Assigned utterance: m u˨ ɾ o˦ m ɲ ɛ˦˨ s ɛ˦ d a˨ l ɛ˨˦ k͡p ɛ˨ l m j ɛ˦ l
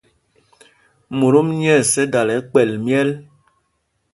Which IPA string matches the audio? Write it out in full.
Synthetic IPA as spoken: m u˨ ɾ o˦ m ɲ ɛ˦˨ s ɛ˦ d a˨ l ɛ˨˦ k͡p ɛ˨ l m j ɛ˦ l